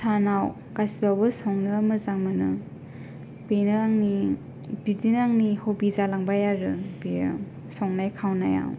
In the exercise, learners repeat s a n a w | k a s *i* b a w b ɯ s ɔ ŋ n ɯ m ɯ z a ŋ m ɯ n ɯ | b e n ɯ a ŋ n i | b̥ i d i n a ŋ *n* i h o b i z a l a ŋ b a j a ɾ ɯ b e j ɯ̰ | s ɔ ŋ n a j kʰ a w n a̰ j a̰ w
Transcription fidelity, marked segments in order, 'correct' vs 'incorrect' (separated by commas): correct, correct